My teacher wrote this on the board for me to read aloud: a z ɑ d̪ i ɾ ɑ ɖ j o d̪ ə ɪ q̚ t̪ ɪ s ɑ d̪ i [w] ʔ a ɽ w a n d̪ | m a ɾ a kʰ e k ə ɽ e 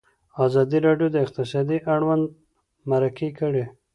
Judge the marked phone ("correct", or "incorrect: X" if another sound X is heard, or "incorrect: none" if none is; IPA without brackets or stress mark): incorrect: none